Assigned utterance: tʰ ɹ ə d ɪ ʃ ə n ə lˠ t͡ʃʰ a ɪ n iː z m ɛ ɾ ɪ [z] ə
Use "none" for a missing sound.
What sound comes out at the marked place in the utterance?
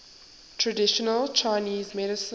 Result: s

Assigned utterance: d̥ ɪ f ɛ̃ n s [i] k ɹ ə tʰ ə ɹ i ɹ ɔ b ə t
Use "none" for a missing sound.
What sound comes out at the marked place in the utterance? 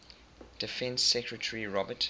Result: ɛ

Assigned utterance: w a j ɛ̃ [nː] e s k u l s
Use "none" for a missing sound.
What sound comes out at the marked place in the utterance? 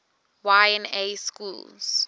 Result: n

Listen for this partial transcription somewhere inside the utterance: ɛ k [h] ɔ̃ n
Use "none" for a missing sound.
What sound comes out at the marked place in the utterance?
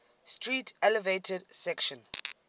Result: ʃ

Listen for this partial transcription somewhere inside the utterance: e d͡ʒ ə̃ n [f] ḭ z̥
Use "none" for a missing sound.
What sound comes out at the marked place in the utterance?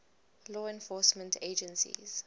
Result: s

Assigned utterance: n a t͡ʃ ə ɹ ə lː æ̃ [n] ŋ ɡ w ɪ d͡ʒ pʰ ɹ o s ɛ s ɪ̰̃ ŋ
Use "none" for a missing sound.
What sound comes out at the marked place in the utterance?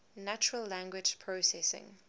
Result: none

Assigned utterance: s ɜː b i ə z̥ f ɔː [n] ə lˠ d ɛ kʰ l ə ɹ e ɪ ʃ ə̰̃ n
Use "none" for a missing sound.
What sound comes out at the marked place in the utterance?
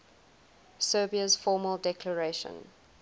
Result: m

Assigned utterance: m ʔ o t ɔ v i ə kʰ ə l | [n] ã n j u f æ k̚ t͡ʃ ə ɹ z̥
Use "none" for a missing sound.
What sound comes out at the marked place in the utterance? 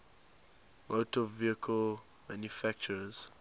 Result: m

